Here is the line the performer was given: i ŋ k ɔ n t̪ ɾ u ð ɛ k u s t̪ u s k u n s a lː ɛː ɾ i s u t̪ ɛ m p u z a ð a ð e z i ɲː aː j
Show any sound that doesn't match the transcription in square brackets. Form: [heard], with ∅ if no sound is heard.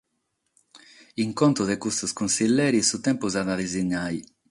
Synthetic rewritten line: i ŋ k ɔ n t̪ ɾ u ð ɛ k u s t̪ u s k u n s [i] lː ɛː ɾ i s u t̪ ɛ m p u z a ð a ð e z i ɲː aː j